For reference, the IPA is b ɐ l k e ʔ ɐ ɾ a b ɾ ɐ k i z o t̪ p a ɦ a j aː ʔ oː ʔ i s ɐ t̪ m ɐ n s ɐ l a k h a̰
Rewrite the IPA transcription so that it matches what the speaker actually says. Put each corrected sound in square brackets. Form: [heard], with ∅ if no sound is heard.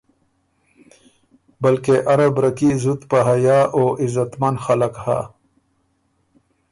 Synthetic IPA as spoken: b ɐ l k e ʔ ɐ ɾ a b ɾ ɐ k i z [u] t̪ p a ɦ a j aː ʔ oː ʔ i [z] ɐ t̪ m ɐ n [x] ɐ l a k h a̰